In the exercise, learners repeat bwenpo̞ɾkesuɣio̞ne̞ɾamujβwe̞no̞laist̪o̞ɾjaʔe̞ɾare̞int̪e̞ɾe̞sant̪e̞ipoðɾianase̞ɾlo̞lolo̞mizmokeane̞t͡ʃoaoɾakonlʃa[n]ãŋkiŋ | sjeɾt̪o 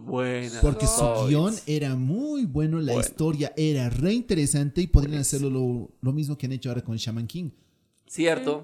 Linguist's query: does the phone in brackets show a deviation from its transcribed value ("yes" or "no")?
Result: yes